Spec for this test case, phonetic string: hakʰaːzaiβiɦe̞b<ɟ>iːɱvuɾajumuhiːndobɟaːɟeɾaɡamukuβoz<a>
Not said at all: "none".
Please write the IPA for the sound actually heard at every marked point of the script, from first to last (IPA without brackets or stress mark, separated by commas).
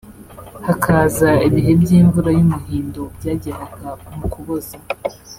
ɟ, a